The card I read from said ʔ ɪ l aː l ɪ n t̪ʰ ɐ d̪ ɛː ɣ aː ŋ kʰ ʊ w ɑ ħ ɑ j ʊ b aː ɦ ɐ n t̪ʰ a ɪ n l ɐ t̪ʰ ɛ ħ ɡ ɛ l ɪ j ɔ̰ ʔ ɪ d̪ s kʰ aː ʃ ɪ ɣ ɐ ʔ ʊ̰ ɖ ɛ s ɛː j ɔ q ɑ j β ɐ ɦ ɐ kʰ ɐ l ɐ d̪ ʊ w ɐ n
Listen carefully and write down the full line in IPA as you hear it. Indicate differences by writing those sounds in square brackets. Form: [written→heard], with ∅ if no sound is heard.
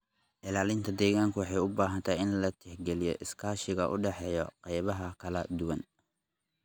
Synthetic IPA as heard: ʔ ɪ l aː l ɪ n t̪ʰ ɐ d̪ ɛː ɣ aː ŋ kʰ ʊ w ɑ ħ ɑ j ʊ b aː ɦ ɐ n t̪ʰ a ɪ n l ɐ t̪ʰ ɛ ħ ɡ ɛ l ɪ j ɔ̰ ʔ ɪ [d̪→∅] s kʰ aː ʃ ɪ ɣ ɐ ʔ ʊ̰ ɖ ɛ [s→ħ] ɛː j ɔ q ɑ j β ɐ ɦ ɐ kʰ ɐ l ɐ d̪ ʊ w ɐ n

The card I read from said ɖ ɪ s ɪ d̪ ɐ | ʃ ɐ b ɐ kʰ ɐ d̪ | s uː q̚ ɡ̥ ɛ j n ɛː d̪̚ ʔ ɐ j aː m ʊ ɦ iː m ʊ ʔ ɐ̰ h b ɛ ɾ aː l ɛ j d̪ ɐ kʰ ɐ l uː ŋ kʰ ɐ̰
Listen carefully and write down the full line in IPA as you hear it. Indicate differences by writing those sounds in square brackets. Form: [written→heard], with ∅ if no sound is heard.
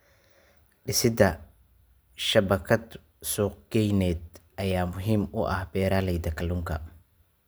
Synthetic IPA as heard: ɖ ɪ s ɪ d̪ ɐ | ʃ ɐ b ɐ kʰ ɐ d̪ | s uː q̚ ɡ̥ ɛ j n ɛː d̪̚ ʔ ɐ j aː m ʊ ɦ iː m ʊ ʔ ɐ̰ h b [ɛ→ɛː] ɾ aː l ɛ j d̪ ɐ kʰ ɐ l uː ŋ kʰ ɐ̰

